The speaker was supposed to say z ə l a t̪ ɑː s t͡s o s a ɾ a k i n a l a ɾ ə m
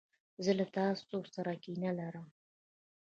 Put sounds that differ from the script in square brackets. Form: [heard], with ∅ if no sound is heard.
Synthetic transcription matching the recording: z ə l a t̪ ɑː s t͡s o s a ɾ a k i n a l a ɾ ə m